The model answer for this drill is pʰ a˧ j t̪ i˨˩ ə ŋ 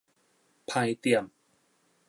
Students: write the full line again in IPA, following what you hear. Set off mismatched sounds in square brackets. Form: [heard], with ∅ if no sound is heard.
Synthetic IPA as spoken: pʰ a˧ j t̪ i˨˩ ə [m]